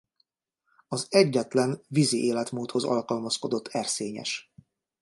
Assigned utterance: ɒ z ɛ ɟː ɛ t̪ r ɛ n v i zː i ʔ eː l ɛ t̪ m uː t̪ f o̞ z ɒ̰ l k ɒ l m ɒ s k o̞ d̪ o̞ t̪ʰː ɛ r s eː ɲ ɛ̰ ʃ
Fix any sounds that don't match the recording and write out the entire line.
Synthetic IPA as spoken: ɒ z ɛ ɟː ɛ t̪ l ɛ n v i z i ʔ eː l ɛ t̪ m uː t̪ h o̞ z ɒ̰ l k ɒ l m ɒ s k o̞ d̪ o̞ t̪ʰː ɛ r s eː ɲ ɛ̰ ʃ